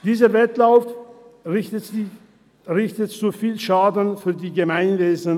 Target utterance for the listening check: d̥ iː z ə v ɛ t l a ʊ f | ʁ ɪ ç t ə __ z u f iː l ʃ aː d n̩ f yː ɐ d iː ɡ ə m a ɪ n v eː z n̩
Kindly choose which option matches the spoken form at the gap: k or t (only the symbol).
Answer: t